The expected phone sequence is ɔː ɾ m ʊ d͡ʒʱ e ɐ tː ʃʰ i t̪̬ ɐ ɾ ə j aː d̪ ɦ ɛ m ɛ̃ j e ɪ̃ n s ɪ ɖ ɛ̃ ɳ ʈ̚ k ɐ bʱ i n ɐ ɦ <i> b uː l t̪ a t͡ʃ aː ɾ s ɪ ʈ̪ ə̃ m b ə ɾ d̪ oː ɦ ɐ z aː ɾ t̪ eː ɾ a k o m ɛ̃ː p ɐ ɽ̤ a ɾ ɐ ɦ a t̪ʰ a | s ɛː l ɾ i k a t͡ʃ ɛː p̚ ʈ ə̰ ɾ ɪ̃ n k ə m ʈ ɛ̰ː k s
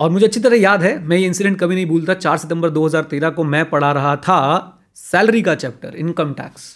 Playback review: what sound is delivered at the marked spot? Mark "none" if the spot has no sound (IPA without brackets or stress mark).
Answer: ĩ